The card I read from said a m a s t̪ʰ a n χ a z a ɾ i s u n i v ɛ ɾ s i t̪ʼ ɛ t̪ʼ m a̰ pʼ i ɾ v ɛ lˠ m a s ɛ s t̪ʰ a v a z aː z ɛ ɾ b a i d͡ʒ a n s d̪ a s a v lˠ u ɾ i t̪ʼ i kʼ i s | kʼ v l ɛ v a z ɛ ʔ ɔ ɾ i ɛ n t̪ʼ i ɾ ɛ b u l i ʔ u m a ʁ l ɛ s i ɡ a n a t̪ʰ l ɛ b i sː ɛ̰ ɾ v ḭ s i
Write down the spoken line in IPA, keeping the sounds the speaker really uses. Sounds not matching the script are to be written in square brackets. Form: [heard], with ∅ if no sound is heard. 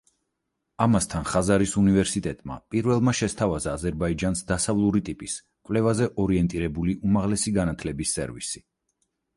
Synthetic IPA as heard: a m a s t̪ʰ a n χ a z a ɾ i s u n i v ɛ ɾ s i t̪ʼ ɛ t̪ʼ m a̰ pʼ i ɾ v ɛ lˠ m a [ʃ] ɛ s t̪ʰ a v a z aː z ɛ ɾ b a i d͡ʒ a n s d̪ a s a v lˠ u ɾ i t̪ʼ i [pʼ] i s | kʼ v l ɛ v a z ɛ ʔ ɔ ɾ i ɛ n t̪ʼ i ɾ ɛ b u l i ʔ u m a ʁ l ɛ s i ɡ a n a t̪ʰ l ɛ b i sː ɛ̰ ɾ v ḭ s i